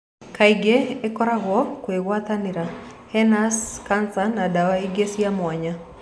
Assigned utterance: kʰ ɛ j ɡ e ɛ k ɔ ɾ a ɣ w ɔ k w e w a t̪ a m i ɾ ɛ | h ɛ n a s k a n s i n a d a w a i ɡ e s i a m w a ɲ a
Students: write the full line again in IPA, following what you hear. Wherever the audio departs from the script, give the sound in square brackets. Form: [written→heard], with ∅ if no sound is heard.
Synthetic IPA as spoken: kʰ [ɛ→a] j ɡ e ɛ k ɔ ɾ a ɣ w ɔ k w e w a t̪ a [m→n] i ɾ [ɛ→a] | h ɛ n a s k a n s [i→a] n a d a w a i ɡ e s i a m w a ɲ a